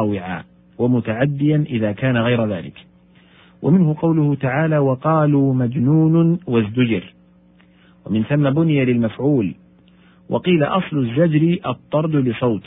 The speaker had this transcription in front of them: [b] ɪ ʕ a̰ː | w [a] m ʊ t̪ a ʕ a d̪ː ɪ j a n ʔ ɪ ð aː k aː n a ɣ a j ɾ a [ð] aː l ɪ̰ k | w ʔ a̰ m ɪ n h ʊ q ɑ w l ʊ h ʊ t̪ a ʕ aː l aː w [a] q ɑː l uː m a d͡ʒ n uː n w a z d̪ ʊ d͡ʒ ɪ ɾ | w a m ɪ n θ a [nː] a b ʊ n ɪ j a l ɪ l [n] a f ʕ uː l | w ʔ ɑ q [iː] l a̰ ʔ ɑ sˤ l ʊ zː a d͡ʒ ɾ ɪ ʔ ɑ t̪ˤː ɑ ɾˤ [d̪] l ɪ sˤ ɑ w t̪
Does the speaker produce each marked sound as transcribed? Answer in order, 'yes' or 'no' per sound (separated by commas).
no, yes, yes, no, no, no, yes, yes